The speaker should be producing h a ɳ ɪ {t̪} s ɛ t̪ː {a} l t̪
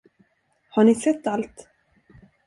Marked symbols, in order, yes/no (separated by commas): no, yes